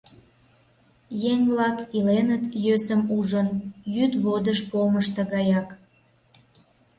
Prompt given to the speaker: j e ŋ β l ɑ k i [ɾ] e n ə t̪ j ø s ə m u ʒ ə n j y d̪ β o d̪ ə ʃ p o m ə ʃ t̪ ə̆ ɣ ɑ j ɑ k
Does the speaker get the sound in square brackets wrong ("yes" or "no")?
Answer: yes